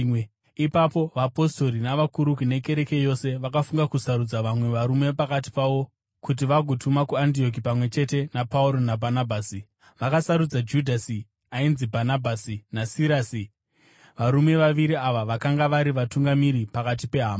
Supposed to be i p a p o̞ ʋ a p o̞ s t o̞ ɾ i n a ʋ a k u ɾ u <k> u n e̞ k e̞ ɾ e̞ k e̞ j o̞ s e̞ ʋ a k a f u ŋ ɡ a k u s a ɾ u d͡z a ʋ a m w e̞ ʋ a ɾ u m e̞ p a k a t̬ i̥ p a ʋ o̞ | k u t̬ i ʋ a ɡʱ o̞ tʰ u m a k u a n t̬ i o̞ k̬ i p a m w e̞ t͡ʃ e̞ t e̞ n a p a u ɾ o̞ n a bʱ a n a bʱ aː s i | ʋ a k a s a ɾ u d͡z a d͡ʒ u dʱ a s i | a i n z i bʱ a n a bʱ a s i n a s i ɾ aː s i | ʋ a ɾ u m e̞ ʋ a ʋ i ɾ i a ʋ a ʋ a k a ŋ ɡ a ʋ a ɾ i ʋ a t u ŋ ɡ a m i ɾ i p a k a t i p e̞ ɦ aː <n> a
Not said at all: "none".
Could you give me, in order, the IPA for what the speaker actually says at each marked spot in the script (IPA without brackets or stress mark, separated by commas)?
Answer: k, m